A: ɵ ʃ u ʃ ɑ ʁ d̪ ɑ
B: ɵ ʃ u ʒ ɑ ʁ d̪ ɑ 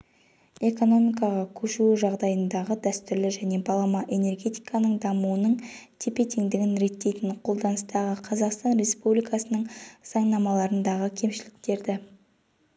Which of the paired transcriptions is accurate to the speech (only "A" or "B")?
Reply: B